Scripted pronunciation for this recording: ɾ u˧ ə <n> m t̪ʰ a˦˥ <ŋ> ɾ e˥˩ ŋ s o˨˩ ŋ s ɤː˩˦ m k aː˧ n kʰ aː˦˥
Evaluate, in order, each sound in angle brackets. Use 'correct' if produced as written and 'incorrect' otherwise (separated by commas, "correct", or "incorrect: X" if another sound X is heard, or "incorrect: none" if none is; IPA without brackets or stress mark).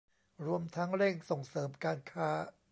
incorrect: none, correct